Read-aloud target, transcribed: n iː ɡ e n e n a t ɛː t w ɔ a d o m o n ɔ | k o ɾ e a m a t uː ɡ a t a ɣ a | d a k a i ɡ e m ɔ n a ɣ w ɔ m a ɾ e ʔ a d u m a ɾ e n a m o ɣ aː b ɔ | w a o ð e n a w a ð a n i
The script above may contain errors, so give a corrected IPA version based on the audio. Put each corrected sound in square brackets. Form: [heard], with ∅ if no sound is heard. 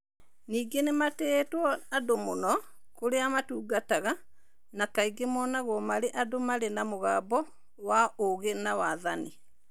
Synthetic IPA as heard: n iː ɡ e n e [m] a t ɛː t w ɔ a d o m o n ɔ | k o ɾ e a m a t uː ɡ a t a ɣ a | [n] a k a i ɡ e m ɔ n a ɣ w ɔ m a ɾ e ʔ a d [o] m a ɾ e n a m o ɣ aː b ɔ | w a o [ɣ] e n a w a ð a n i

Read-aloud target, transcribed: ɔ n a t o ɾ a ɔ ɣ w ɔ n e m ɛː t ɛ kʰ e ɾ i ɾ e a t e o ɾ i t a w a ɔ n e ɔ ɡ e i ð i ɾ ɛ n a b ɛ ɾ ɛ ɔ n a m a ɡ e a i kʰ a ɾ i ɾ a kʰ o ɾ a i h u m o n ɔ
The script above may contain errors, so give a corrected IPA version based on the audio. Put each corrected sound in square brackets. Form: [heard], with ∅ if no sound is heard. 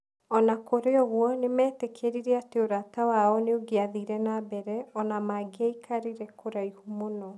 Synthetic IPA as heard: ɔ n a [k] o ɾ [e] ɔ ɣ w ɔ n e m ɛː t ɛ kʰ e ɾ i ɾ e a t e o ɾ [a] t a w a ɔ n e [o] ɡ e [a] ð i ɾ ɛ n a b ɛ ɾ ɛ ɔ n a m a ɡ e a i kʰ a ɾ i ɾ [ɛ] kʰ o ɾ a i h u m o n ɔ

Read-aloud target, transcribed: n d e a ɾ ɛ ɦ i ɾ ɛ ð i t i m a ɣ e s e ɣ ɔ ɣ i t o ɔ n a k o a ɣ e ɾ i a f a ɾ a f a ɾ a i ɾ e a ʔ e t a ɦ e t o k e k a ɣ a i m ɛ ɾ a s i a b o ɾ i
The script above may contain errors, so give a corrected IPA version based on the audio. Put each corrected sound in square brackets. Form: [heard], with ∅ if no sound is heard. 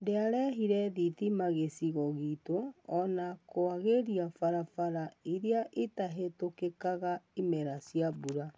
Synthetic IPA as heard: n d e a ɾ ɛ ɦ i ɾ ɛ ð i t i m a ɣ e s [i] ɣ ɔ ɣ i t o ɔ n a k o a ɣ e ɾ i a f a ɾ a f a ɾ a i ɾ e a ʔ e t a ɦ e t o k e k a ɣ a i m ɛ ɾ a s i a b [u] ɾ [a]

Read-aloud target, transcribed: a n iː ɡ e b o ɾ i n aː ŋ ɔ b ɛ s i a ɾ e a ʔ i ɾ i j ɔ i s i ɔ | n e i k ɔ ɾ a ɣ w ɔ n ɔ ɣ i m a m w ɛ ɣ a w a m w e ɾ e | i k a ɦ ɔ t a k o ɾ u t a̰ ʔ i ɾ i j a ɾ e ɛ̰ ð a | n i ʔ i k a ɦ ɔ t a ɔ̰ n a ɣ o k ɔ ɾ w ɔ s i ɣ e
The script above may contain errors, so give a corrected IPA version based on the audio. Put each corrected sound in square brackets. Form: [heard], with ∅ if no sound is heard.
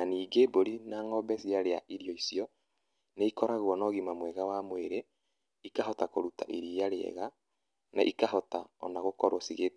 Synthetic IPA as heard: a n iː ɡ e b o ɾ i n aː ŋ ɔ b ɛ s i a ɾ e a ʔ i ɾ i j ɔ i s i ɔ | n e i k ɔ ɾ a ɣ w ɔ n ɔ ɣ i m a m w ɛ ɣ a w a m w e ɾ e | i k a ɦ ɔ t a k o ɾ u t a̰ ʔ i ɾ i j a ɾ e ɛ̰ [ɣ] a | n [a] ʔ i k a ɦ ɔ t a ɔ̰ n a ɣ o k ɔ ɾ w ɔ s i ɣ e

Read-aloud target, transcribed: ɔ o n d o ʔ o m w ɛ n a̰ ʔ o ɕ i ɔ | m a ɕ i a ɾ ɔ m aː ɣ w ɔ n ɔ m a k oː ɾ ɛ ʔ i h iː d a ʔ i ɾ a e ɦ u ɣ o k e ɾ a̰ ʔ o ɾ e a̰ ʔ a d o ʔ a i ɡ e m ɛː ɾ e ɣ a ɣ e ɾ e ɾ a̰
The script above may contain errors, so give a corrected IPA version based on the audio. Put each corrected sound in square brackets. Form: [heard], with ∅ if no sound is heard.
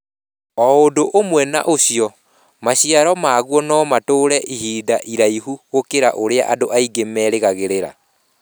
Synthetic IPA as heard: ɔ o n d o ʔ o m w ɛ n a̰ ʔ o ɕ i ɔ | m a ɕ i a ɾ ɔ m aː ɣ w ɔ n ɔ m a [t] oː ɾ ɛ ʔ i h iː d a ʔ i ɾ a [i] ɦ u ɣ o k e ɾ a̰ ʔ o ɾ e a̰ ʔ a d o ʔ a i ɡ e m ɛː ɾ e ɣ a ɣ e ɾ e ɾ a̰

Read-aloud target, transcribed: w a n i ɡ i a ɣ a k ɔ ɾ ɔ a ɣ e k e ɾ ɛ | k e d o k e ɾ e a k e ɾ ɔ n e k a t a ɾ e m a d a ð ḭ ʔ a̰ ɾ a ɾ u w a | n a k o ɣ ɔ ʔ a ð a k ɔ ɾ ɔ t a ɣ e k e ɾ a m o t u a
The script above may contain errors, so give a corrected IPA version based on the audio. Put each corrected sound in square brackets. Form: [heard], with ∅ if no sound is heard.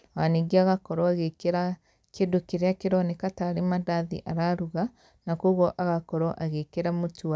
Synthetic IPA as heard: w a n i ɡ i a ɣ a k ɔ ɾ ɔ a ɣ e k e ɾ [a] | k e d o k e ɾ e a k e ɾ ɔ n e k a t a ɾ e m a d a ð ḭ ʔ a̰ ɾ a ɾ u [ɣ] a | n a k o ɣ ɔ ʔ a [ɣ] a k ɔ ɾ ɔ [ʔ] a ɣ e k e ɾ a m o t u a

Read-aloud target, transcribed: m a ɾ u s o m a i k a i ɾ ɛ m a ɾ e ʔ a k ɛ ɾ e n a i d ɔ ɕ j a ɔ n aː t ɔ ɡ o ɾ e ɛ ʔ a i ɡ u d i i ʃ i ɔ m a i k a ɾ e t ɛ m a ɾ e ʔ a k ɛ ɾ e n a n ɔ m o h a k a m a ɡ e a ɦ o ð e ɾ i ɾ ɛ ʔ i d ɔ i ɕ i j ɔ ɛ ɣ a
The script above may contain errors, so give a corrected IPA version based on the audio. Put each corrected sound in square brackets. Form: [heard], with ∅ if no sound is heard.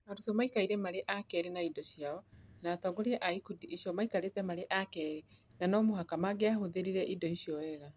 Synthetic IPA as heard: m a ɾ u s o m a i k a i ɾ ɛ m a ɾ e ʔ a k ɛ ɾ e n a i d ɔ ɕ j a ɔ n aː t ɔ ɡ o ɾ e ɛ ʔ a i [k] u d i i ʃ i ɔ m a i k a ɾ e t ɛ m a ɾ e ʔ a k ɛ ɾ e n a n ɔ m o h a k a m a ɡ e a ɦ o ð e ɾ i ɾ ɛ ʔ i d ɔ i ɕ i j ɔ ɛ ɣ a

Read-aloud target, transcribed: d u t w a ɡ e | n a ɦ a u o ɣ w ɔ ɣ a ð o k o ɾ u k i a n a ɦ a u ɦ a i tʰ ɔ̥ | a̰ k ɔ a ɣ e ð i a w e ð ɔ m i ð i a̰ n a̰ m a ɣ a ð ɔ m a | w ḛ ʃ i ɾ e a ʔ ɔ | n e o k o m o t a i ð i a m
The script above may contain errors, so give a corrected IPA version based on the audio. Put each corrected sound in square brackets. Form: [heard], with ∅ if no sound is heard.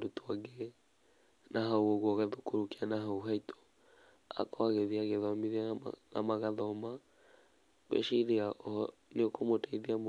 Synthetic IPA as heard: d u t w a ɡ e | n a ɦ a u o ɣ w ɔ ɣ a ð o k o ɾ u k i a n a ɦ a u ɦ a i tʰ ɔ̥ | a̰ k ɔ a ɣ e ð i a [ɣ] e ð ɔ m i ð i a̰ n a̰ m a ɣ a ð ɔ m a | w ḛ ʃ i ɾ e a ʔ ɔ | n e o k o m o t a i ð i a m

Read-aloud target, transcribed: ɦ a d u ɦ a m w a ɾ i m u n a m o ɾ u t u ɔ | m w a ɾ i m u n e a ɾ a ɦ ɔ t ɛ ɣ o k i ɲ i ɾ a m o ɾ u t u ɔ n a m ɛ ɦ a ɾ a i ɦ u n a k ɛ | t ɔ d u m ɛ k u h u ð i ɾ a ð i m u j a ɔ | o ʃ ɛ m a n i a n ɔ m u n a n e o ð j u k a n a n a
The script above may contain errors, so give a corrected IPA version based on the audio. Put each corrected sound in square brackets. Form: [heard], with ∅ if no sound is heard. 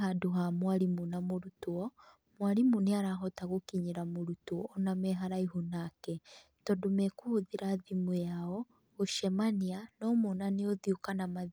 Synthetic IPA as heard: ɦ a d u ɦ a m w a ɾ i m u n a m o ɾ u t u ɔ | m w a ɾ i m u n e a ɾ a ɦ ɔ t [a] ɣ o k i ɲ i ɾ a m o ɾ u t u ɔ n a m ɛ ɦ a ɾ a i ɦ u n a k ɛ | t ɔ d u m ɛ k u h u ð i ɾ a ð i m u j a ɔ | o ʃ ɛ m a n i a n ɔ m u n a n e o ð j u k a n a [m] a

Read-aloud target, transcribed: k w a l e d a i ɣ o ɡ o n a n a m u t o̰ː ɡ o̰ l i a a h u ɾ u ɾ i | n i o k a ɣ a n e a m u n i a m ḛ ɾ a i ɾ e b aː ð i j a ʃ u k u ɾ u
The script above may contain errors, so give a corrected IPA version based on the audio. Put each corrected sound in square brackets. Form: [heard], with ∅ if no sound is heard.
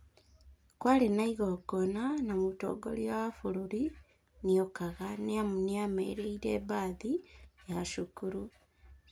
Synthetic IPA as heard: k w a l e [n] a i ɣ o ɡ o n a n a m u t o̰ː ɡ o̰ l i a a [f] u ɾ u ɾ i | n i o k a ɣ a n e a m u n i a m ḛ ɾ [e] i ɾ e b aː ð i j a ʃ u k u ɾ u

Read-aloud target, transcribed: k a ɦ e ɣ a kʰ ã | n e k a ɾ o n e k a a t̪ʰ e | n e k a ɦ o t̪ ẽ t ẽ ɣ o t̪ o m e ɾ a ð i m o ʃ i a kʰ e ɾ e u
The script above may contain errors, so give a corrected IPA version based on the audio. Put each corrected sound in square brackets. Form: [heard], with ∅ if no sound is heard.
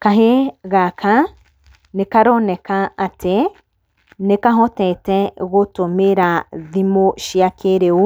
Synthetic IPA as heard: k a ɦ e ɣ a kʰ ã | n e k a ɾ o n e k a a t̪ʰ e | n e k a ɦ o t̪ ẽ t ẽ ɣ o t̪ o m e ɾ a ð i m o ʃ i a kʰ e ɾ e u

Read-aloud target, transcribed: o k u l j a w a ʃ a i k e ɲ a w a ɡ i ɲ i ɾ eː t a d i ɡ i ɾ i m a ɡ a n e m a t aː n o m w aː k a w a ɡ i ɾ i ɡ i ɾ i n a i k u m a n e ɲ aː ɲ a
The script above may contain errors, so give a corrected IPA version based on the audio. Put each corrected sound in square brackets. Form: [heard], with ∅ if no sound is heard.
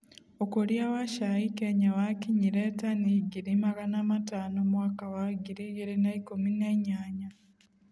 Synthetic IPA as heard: o k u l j a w a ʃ a i k e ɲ a w a [k] i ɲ i ɾ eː t a [n] i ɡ i ɾ i m a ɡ a n [a] m a t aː n o m w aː k a w a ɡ i ɾ i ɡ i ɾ i n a i k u m [i] n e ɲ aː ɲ a

